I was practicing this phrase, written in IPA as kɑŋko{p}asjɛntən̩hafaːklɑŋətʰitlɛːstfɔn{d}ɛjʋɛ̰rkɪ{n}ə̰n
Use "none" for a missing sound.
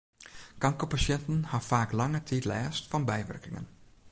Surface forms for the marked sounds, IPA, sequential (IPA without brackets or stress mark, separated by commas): p, b, ŋ